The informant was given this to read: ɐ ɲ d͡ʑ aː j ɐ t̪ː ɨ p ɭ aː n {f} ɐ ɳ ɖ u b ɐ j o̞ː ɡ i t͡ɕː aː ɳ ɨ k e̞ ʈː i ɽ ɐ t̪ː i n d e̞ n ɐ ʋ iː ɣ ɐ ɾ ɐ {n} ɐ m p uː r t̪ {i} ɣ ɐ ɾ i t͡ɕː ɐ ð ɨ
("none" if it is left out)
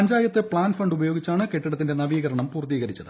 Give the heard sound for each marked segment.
f, ɳ, iː

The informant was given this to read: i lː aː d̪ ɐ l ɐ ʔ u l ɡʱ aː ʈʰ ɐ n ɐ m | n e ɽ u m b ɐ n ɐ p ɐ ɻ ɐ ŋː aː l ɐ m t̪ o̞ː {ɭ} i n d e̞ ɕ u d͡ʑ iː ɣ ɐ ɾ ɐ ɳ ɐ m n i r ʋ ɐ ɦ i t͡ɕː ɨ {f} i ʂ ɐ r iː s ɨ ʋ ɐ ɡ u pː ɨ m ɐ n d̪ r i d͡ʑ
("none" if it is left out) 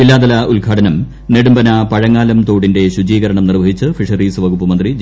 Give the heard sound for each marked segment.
ɽ, f

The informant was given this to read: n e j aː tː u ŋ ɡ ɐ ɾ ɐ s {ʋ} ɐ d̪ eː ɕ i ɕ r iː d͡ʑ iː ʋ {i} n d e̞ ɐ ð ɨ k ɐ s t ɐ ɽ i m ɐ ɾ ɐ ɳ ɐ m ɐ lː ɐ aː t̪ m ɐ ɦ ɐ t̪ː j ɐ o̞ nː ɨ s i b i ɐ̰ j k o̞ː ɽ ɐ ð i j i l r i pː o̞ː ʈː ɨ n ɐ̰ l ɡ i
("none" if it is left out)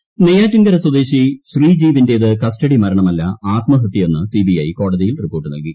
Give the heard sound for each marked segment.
w, i

